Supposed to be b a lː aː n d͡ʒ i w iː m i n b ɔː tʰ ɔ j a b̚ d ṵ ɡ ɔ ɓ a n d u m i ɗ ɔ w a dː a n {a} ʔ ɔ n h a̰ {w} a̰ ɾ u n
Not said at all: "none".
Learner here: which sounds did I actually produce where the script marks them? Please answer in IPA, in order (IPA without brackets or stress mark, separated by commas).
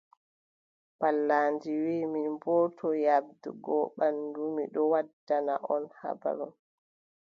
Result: a, b